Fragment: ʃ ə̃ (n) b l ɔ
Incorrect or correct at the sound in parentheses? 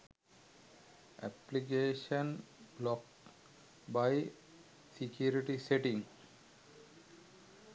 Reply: correct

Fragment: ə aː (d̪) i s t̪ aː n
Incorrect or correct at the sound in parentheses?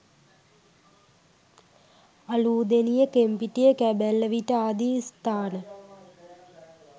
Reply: correct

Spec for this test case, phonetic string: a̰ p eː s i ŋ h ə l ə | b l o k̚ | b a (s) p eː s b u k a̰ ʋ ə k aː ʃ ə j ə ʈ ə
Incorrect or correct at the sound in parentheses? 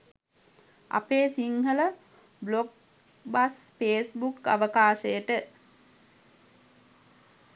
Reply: correct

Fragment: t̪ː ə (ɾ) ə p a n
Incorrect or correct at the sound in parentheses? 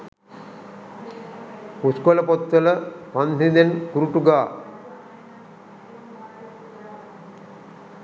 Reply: incorrect: l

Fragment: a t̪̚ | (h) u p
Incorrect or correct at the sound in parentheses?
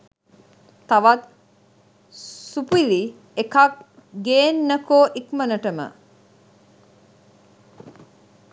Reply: incorrect: s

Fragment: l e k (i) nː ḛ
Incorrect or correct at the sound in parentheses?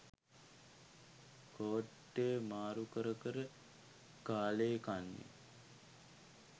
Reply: incorrect: a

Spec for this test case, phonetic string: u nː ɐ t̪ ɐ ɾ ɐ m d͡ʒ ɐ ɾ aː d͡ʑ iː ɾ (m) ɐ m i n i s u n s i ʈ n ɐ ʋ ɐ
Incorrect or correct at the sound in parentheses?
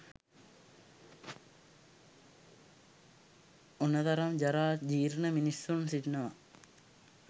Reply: incorrect: n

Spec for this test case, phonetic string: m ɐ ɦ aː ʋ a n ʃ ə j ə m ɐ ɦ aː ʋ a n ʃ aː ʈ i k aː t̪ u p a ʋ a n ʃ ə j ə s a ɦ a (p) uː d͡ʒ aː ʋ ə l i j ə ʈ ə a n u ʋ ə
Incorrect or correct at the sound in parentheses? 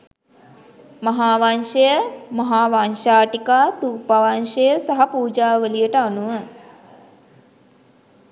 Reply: correct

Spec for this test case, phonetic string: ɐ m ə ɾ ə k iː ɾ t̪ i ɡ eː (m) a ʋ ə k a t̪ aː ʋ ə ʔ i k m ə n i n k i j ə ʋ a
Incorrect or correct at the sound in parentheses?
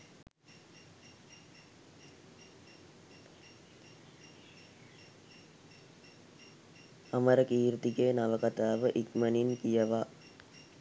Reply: incorrect: n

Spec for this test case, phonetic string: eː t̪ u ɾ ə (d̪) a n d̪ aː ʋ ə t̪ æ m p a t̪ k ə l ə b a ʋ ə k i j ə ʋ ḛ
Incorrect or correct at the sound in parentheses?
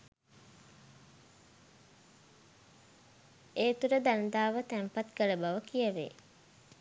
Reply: correct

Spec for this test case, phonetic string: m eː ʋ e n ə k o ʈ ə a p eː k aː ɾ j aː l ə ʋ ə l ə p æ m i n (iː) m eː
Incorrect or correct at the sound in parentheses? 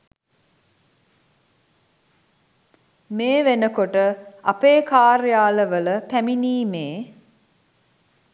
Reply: correct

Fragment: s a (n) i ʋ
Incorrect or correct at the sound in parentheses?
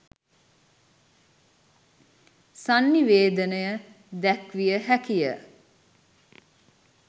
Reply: incorrect: nː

